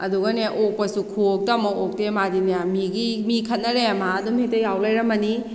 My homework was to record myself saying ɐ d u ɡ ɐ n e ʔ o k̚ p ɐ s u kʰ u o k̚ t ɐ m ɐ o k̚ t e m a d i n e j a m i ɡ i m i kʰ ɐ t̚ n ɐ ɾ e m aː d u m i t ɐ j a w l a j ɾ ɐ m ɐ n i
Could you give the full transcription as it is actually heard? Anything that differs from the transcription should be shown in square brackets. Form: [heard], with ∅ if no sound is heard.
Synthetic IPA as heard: ɐ d u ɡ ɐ n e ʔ o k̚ p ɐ s u kʰ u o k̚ t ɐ m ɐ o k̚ t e m a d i n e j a m i ɡ i m i kʰ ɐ t̚ n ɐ ɾ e m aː d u m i t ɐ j a w l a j ɾ ɐ m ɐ n i